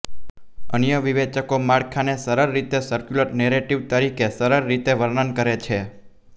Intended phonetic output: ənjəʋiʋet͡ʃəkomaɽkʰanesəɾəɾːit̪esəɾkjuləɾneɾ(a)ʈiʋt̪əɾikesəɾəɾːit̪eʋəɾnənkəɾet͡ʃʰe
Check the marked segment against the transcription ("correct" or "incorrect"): incorrect